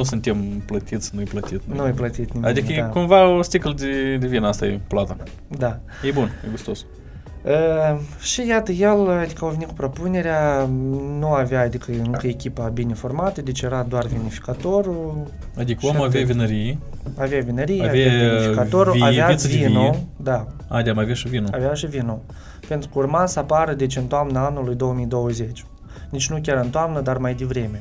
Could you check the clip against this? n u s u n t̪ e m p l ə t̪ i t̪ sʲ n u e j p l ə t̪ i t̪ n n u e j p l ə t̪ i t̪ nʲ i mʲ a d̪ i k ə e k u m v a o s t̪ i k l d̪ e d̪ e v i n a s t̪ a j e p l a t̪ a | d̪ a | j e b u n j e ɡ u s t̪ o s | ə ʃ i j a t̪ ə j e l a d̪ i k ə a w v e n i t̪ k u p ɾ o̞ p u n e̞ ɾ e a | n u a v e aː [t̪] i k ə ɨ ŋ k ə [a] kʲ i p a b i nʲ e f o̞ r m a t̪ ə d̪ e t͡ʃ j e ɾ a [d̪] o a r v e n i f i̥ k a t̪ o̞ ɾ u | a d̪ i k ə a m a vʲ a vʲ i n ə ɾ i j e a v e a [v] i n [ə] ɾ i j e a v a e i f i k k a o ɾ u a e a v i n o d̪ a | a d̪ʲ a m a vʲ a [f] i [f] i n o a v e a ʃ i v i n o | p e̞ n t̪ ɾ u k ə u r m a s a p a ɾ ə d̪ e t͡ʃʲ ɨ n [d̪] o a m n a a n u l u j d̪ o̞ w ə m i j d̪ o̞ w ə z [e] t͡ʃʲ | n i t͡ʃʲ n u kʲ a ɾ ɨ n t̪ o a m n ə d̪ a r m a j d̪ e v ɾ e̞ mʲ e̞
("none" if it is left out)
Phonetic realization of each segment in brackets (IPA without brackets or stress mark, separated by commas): d̪, e, d̪, v, ə, ʃ, v, t̪, e